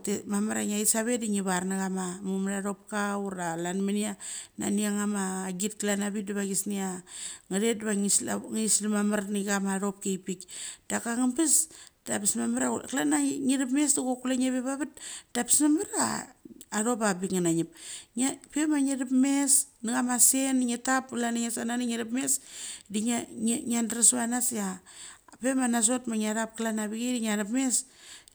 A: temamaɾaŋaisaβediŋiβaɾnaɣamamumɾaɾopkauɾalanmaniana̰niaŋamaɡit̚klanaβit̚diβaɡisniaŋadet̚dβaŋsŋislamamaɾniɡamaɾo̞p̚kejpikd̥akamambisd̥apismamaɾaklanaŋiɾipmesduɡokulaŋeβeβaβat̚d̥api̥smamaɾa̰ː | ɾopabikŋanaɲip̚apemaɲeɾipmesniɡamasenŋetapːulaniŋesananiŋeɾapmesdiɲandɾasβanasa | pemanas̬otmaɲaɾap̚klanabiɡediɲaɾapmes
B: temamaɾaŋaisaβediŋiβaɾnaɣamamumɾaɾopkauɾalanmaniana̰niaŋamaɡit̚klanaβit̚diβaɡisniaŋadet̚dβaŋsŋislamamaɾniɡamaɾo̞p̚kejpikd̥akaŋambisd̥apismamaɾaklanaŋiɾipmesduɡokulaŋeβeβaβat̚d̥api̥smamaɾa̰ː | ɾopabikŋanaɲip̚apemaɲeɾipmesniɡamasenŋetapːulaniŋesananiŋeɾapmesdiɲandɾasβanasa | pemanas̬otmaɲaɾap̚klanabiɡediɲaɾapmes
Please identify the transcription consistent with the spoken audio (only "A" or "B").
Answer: B